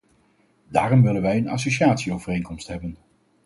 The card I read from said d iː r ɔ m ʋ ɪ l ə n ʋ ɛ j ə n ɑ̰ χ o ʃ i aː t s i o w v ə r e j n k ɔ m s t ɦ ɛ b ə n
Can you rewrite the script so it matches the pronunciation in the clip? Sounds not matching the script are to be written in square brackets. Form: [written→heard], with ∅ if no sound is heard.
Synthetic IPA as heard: d [iː→aː] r ɔ m ʋ ɪ l ə n ʋ ɛ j ə n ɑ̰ [χ→s] o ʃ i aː t s i o w v ə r e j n k ɔ m s t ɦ ɛ b ə n